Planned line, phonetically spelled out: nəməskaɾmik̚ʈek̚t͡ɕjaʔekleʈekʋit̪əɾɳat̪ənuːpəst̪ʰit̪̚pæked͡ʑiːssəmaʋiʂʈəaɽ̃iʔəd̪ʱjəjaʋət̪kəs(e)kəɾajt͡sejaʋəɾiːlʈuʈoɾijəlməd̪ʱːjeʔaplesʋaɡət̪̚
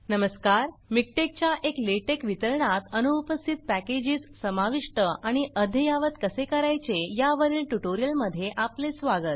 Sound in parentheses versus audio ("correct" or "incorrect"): correct